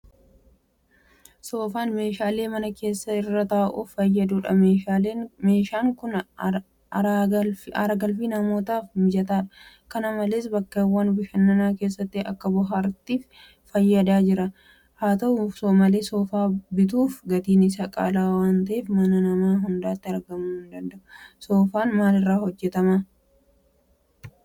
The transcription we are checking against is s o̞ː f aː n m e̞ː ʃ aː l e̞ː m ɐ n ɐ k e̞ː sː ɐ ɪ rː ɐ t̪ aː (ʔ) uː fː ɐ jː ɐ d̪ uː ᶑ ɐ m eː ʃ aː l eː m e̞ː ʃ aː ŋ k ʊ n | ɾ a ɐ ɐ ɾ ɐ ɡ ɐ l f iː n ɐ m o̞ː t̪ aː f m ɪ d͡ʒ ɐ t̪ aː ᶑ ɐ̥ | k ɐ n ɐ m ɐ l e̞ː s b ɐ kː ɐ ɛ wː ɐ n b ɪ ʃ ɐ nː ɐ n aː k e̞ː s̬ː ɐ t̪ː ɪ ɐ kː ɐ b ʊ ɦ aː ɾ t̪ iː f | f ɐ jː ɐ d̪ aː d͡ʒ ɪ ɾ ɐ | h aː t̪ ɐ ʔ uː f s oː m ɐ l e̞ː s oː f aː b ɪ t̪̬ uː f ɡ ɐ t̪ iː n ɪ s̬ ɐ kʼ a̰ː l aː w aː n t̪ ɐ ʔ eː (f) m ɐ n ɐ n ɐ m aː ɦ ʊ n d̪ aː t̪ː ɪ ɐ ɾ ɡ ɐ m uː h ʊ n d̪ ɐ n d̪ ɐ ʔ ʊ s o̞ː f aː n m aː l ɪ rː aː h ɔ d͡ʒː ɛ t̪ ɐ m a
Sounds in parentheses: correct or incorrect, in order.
correct, correct

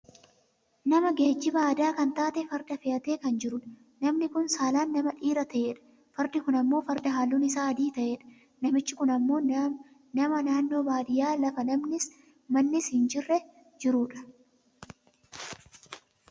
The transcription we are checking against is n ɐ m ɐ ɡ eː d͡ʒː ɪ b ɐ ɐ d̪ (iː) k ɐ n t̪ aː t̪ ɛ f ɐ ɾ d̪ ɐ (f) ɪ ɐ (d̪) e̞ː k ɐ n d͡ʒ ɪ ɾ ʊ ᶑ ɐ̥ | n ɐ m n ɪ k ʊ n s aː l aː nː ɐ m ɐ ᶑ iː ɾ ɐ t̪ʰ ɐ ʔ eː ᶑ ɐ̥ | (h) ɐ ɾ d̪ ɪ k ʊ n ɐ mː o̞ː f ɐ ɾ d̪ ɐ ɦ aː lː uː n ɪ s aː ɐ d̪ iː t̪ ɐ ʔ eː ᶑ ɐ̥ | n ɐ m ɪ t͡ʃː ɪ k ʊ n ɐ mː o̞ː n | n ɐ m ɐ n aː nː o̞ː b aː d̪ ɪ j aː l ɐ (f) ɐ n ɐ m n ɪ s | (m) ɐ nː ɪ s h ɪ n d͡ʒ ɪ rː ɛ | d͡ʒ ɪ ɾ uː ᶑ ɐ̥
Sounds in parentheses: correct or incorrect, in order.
incorrect, correct, incorrect, incorrect, correct, correct

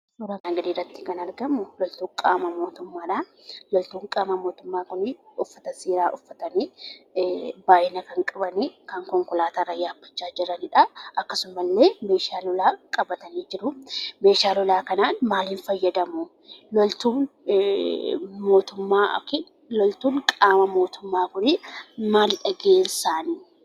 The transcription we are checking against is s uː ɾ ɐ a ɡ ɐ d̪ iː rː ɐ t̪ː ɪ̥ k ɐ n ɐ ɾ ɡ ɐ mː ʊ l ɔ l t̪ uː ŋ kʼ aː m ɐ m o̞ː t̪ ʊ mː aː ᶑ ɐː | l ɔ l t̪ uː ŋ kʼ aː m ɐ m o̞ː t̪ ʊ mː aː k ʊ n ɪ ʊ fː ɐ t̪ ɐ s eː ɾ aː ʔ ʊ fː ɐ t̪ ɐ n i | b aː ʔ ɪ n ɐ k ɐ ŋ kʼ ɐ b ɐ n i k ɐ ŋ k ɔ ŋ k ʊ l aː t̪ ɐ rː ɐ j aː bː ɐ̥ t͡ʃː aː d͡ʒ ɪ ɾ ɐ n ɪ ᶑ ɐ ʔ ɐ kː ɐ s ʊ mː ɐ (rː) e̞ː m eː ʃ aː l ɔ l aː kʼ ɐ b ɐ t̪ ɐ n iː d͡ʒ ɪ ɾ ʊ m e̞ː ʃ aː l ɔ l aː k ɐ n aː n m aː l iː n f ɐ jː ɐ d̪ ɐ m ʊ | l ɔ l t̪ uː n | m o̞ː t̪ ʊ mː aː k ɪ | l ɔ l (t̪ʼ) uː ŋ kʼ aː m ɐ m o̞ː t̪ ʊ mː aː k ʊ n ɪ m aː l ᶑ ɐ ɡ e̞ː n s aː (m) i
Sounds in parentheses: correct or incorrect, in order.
incorrect, incorrect, incorrect

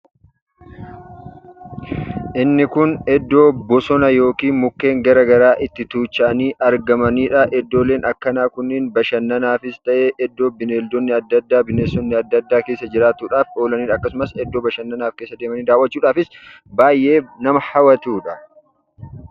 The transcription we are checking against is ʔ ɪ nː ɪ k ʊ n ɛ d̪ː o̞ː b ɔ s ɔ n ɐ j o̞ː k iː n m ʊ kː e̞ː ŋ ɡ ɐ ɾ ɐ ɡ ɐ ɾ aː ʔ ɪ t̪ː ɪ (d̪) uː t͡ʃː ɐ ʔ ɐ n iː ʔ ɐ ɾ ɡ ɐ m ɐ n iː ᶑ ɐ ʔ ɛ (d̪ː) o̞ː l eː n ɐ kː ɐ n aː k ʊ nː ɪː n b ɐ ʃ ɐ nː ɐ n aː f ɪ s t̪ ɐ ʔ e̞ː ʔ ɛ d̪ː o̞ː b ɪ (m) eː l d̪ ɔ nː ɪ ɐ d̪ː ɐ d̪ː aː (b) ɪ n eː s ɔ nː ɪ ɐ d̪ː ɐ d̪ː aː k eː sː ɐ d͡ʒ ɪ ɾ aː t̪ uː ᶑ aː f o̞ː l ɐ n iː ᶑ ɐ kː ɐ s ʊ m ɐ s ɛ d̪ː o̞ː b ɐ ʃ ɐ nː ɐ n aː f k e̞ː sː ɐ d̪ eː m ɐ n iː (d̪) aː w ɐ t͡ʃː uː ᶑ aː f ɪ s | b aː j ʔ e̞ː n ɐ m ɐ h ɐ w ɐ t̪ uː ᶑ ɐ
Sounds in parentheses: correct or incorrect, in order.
incorrect, correct, incorrect, correct, correct

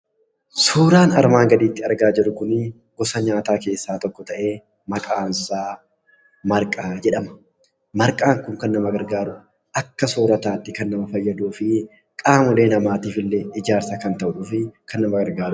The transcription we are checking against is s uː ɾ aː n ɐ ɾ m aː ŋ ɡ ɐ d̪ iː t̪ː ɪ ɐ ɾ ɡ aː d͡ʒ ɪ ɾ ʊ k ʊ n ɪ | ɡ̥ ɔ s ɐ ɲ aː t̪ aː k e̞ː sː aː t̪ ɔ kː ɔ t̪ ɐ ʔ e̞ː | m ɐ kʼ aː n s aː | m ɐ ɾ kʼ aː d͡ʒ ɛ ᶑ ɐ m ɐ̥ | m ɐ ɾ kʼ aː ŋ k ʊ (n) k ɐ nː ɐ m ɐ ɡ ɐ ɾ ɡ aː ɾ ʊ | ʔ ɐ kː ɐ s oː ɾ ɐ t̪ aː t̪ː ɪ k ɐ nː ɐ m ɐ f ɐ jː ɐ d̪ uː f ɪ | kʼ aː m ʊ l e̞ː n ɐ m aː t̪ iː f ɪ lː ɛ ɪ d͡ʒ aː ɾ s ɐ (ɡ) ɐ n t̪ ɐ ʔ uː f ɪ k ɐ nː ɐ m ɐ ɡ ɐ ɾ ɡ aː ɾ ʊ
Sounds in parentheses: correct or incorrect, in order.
incorrect, incorrect

